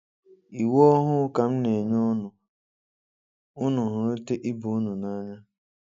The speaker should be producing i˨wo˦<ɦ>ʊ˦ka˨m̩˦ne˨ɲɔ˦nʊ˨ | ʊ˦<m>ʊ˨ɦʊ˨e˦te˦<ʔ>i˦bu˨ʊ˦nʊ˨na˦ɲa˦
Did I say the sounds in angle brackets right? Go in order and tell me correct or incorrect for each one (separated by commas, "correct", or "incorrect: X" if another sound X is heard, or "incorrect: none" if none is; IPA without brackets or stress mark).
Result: correct, incorrect: n, correct